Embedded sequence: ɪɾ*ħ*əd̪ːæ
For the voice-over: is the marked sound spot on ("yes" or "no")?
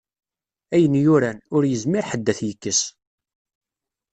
yes